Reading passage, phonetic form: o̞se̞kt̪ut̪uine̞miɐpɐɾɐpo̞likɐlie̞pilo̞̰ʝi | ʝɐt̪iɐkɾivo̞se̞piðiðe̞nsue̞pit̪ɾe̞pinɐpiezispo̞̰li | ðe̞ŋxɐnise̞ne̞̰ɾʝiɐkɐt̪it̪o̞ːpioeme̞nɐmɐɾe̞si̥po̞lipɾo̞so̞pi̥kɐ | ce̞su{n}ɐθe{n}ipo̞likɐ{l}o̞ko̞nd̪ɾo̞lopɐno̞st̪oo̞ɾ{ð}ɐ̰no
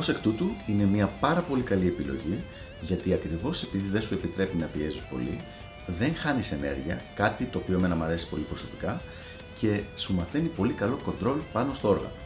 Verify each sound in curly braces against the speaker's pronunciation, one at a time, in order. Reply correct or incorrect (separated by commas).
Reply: incorrect, correct, correct, incorrect